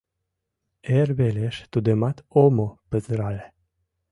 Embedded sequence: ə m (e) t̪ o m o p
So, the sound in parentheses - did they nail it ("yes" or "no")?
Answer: no